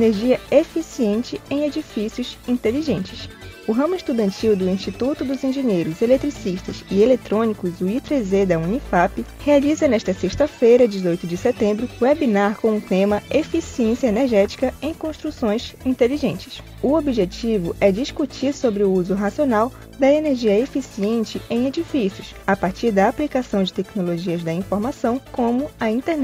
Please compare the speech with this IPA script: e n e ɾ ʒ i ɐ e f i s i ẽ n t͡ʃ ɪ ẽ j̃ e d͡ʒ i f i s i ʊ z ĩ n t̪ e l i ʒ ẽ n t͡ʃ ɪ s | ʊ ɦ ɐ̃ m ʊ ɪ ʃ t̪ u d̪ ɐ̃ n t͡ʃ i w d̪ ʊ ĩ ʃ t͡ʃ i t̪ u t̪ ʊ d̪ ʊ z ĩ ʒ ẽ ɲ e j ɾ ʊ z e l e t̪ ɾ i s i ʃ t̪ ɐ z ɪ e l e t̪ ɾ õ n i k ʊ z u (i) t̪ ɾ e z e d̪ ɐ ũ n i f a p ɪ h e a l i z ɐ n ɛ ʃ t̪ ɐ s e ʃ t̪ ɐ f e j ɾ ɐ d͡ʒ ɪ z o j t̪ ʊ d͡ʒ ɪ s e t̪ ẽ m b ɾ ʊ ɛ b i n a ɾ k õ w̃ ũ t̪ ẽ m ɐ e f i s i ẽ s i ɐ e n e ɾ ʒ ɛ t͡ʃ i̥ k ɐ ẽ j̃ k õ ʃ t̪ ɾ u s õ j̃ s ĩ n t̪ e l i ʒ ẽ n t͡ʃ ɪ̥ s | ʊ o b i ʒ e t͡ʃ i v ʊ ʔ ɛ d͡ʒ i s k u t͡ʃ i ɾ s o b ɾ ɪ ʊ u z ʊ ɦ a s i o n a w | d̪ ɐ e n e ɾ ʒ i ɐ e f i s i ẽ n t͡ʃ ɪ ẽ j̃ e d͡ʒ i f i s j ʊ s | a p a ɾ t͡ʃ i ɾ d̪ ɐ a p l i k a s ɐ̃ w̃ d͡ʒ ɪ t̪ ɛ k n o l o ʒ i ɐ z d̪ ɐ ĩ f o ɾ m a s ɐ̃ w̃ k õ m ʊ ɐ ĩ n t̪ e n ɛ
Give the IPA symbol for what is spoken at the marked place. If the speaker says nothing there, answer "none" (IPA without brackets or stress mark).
i